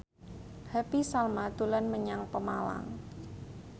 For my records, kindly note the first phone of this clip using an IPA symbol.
h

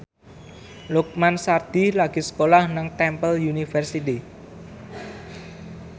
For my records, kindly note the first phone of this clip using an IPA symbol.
l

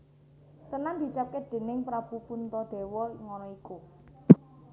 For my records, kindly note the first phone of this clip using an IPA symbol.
t̪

